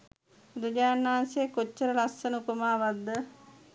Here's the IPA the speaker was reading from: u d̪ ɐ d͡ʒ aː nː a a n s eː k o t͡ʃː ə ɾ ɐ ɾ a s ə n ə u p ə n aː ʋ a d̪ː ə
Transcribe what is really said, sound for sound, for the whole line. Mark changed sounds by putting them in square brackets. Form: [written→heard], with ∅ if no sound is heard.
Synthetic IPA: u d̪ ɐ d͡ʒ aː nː a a n s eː k o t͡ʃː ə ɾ [ɐ→ə] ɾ a s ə n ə u p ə [n→m] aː ʋ a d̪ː ə